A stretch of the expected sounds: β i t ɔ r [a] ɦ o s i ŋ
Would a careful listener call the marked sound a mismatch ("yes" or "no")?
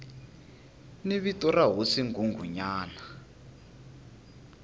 no